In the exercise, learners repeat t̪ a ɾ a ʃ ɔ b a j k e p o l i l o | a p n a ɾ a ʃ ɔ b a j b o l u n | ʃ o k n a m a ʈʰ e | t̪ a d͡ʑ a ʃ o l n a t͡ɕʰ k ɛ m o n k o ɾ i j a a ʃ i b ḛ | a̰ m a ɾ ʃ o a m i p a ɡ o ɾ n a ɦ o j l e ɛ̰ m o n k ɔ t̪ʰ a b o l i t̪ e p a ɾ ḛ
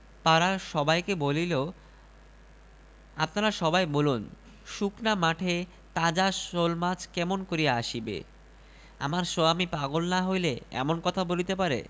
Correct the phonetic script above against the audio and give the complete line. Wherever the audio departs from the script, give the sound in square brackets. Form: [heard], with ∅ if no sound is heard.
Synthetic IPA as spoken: t̪ a ɾ a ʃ ɔ b a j k e [b] o l i l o | a p n a ɾ a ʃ ɔ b a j b o l u n | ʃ [u] k n a m a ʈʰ e | t̪ a d͡ʑ a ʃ o l [m] a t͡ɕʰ k ɛ m o n k o ɾ i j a a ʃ i b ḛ | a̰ m a ɾ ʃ o a m i p a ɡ o [l] n a ɦ o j l e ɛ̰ m o n k ɔ t̪ʰ a b o l i t̪ e p a ɾ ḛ